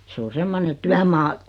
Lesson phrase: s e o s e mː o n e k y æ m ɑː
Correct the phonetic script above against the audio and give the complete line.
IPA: s e o s e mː o n e t y æ m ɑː